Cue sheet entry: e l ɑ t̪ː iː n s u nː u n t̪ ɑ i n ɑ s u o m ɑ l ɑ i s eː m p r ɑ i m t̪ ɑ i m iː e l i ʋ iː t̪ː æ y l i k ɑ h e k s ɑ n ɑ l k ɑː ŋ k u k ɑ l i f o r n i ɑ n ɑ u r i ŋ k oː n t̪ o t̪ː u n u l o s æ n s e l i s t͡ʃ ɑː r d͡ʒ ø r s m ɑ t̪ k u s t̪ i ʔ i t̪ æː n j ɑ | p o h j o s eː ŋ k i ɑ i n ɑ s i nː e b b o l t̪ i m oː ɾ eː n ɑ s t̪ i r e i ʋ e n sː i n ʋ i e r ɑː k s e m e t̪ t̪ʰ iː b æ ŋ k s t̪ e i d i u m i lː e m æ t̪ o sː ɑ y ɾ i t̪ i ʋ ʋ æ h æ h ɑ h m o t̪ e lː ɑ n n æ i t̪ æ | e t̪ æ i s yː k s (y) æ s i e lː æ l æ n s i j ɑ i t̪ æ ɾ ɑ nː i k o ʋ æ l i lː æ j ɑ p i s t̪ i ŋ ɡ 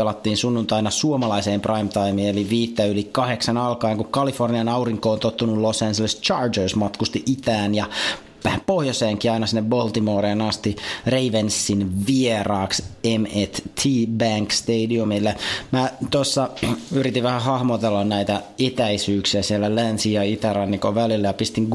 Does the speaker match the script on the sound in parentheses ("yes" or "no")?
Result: no